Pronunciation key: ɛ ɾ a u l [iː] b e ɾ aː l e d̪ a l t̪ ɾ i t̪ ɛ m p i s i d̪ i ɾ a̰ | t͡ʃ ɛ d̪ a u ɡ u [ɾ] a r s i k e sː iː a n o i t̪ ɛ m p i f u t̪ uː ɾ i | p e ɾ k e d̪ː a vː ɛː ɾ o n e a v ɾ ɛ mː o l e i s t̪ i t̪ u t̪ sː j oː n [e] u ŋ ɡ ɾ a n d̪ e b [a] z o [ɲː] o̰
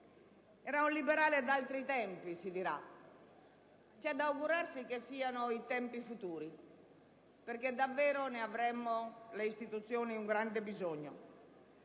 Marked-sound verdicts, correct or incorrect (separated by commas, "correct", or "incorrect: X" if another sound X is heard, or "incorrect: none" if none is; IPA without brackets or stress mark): incorrect: i, correct, incorrect: i, incorrect: i, correct